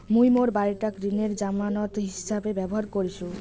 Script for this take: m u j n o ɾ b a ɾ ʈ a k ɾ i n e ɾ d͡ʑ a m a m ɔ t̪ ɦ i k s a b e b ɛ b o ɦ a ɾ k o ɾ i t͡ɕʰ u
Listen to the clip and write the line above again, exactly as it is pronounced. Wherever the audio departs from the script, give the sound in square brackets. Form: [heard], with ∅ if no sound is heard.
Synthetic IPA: m u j [m] o ɾ b a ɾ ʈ a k ɾ i n e ɾ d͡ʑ a m a [n] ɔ t̪ ɦ i [∅] s a b e b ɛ b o ɦ a ɾ k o ɾ i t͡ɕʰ u